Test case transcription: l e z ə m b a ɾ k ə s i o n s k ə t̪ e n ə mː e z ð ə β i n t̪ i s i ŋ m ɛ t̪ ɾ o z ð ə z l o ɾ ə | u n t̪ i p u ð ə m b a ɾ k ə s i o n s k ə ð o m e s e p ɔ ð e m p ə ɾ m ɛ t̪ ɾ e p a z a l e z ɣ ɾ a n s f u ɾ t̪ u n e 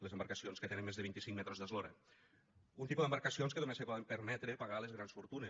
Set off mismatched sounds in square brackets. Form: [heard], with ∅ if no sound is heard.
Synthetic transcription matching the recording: l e z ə m b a ɾ k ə s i o n s k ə t̪ e n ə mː e z ð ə β i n t̪ i s i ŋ m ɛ t̪ ɾ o z ð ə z l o ɾ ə | u n t̪ i p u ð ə m b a ɾ k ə s i o n s k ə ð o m e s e p ɔ ð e m p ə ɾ m ɛ t̪ ɾ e p a [ɣ] a l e z ɣ ɾ a n s f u ɾ t̪ u n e